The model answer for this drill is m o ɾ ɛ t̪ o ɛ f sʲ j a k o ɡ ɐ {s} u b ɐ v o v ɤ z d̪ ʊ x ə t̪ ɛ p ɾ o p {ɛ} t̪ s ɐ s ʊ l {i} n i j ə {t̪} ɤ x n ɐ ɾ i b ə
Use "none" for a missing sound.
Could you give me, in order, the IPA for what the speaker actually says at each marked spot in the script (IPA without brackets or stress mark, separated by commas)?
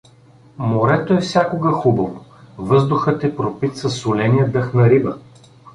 x, i, ɛ, d̪